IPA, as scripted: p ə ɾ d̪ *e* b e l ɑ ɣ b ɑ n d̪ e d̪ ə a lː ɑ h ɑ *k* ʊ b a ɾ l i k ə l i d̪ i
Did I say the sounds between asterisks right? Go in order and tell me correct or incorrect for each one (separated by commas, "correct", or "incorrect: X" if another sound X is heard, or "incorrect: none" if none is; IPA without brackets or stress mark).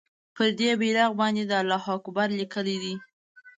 correct, correct